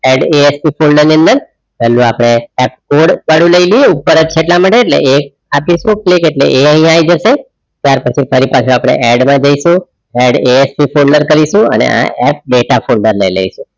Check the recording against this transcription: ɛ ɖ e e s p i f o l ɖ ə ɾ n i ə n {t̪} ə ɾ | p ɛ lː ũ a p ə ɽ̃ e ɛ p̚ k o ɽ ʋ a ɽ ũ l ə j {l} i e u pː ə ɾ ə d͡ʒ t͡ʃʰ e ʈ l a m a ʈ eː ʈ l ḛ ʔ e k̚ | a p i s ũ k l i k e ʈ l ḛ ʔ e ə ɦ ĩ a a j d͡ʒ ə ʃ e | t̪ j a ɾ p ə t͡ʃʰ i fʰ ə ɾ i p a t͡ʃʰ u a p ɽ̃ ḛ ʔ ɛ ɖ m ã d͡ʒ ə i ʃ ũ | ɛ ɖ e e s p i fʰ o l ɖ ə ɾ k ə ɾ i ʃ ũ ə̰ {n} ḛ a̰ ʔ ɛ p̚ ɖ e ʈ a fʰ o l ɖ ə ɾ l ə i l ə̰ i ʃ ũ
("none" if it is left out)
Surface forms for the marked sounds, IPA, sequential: d̪, l, n

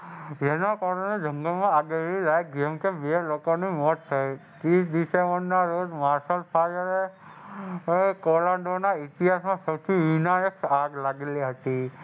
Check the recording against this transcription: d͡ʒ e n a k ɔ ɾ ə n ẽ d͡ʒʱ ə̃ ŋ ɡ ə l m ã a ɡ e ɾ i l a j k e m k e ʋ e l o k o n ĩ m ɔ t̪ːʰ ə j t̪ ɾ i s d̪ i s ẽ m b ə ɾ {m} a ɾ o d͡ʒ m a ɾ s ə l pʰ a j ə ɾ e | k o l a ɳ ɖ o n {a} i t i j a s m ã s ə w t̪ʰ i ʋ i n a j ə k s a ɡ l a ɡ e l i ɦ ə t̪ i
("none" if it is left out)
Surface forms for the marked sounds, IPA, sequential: n, a

